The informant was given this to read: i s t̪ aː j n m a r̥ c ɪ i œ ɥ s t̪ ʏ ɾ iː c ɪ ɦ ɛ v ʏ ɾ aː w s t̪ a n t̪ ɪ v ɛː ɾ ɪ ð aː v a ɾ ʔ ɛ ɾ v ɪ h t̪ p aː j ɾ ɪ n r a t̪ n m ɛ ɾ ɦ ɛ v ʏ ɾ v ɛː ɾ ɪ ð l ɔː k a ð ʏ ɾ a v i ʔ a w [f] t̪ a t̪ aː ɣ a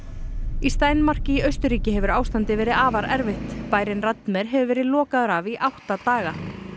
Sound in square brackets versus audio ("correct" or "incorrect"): incorrect